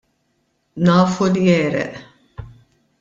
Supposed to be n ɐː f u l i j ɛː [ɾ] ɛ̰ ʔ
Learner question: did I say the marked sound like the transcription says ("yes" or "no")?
yes